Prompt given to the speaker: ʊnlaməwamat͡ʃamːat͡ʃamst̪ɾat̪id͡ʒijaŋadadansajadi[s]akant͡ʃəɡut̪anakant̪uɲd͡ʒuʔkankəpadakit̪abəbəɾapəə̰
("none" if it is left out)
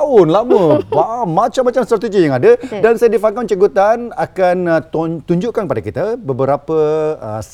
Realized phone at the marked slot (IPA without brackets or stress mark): f